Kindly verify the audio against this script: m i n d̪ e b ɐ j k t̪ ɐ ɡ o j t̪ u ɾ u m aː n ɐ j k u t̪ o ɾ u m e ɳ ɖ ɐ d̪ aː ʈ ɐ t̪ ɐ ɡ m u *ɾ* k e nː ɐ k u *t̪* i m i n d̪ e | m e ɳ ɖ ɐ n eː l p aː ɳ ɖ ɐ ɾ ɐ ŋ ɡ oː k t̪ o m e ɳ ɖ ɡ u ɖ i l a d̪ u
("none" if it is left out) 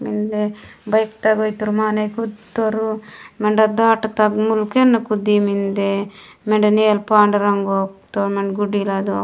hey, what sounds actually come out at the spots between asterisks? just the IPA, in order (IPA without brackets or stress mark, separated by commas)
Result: l, d̪